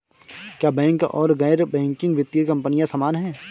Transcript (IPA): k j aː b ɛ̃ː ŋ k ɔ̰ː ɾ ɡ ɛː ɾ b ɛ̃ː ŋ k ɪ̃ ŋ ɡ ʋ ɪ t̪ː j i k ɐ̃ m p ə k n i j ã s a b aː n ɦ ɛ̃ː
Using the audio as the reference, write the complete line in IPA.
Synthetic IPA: k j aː b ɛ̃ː ŋ k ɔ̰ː ɾ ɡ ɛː ɾ b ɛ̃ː ŋ k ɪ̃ ŋ ɡ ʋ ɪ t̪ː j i k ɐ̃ m p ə n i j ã s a m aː n ɦ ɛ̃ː